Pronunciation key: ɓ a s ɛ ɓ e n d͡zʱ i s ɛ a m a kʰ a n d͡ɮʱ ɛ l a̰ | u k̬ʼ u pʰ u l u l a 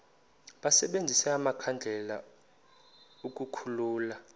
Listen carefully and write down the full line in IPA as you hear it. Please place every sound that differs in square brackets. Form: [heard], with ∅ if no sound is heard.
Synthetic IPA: ɓ a s ɛ ɓ e n d͡zʱ i s ɛ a m a kʰ a n d͡ɮʱ ɛ l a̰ | u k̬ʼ u [kʰ] u l [uː] l a